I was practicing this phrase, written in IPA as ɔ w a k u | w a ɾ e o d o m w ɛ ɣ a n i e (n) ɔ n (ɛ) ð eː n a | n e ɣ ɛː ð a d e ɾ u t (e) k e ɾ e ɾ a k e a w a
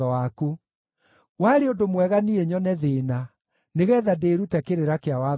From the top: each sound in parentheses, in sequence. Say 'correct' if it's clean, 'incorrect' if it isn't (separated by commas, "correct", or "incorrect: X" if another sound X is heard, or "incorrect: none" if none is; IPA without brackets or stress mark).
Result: incorrect: ɲ, correct, incorrect: ɛ